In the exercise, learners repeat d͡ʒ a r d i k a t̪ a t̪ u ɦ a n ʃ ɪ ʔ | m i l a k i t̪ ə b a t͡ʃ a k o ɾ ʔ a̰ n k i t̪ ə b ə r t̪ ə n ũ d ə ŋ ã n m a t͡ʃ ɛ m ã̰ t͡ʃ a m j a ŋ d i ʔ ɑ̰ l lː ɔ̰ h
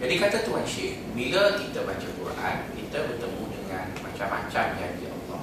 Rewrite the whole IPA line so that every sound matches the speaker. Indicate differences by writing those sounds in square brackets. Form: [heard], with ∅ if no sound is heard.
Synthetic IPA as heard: d͡ʒ a [∅] d i k a t̪ a t̪ u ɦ a n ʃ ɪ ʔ | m i l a k i t̪ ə b a t͡ʃ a k [u] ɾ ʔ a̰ n k i t̪ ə b ə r t̪ ə [m] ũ d ə ŋ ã n m a t͡ʃ [a] m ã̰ t͡ʃ a m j a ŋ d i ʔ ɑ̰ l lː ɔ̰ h